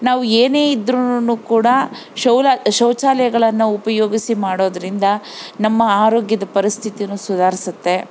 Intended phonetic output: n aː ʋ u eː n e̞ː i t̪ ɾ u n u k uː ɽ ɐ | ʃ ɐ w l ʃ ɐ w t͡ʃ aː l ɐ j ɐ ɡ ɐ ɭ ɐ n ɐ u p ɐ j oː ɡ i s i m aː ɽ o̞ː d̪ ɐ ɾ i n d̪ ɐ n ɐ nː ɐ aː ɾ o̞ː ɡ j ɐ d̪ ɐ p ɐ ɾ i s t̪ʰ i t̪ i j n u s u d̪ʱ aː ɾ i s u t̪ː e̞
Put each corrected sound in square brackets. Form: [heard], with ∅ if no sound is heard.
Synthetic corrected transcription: n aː ʋ u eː n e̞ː i [d̪] ɾ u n u k uː ɽ ɐ | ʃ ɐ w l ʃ ɐ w t͡ʃ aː l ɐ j ɐ ɡ ɐ ɭ ɐ [nː] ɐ u p ɐ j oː ɡ i s i m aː ɽ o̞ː d̪ ɐ ɾ i n d̪ ɐ n ɐ [mː] ɐ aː ɾ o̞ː ɡ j ɐ d̪ ɐ p ɐ ɾ i s t̪ʰ i t̪ i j n u s u d̪ʱ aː ɾ i s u t̪ː e̞